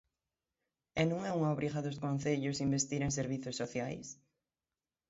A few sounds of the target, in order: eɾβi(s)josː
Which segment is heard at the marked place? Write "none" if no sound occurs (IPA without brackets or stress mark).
θ